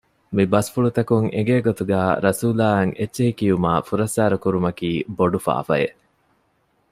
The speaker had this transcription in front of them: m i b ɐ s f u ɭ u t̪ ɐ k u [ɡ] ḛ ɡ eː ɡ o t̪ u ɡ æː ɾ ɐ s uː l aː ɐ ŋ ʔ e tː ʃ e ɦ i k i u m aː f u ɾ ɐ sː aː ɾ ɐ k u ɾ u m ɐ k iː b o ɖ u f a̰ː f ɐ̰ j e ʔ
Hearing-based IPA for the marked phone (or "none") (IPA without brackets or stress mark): ŋ